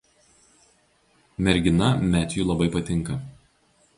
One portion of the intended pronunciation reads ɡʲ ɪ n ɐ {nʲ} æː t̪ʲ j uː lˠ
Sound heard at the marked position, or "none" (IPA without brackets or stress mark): mʲ